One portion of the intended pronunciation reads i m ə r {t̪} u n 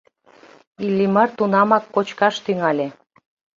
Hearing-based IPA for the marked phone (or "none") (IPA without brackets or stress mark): t̪